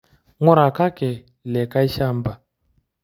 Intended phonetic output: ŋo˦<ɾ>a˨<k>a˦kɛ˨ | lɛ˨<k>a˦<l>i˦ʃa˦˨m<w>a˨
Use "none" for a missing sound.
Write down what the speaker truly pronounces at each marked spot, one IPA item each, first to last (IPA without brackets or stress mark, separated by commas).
ɾ, k, k, none, b